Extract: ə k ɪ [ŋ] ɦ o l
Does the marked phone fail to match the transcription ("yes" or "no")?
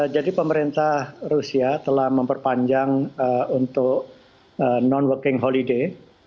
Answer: no